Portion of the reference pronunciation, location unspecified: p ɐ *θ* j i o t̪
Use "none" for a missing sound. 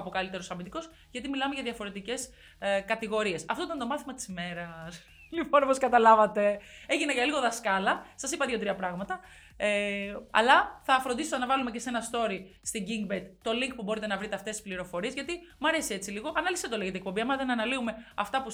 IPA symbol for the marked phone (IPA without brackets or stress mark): ð